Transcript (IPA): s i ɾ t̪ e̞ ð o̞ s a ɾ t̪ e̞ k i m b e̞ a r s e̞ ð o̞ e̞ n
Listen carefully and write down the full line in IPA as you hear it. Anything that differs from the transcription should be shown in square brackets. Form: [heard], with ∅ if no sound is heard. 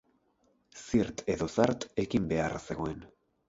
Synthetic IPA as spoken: s i ɾ t̪ e̞ ð o̞ s a ɾ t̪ e̞ k i m b e̞ a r s e̞ [ɣ] o̞ e̞ n